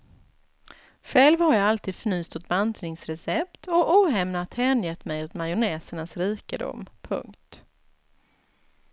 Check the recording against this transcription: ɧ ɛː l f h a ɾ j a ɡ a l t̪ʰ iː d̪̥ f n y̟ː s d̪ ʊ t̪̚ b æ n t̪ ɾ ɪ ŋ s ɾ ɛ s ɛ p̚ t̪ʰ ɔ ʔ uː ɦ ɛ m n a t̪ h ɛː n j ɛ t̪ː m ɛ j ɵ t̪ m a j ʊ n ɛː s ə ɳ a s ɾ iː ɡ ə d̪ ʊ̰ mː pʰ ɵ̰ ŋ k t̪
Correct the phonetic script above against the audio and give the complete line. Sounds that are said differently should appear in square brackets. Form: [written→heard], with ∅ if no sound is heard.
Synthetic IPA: ɧ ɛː l [f→v] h a ɾ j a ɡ a l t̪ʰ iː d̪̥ f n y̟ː s [d̪→t̪] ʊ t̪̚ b [æ→a] n t̪ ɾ ɪ ŋ s ɾ ɛ s ɛ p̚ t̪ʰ ɔ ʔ uː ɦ ɛ m n a t̪ h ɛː n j ɛ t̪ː m ɛ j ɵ t̪ m a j ʊ n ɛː s ə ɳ a s ɾ iː [ɡ→k] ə d̪ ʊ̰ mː pʰ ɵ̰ ŋ k t̪